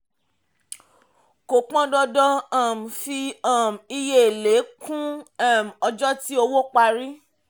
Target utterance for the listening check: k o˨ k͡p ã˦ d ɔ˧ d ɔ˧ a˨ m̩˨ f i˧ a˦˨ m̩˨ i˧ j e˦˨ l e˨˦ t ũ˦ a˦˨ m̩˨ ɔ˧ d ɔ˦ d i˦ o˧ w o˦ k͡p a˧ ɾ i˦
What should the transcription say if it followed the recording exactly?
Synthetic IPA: k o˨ k͡p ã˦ d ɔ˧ d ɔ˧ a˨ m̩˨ f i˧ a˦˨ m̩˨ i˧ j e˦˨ l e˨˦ k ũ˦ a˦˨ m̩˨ ɔ˧ d͡ʒ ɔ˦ t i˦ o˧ w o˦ k͡p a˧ ɾ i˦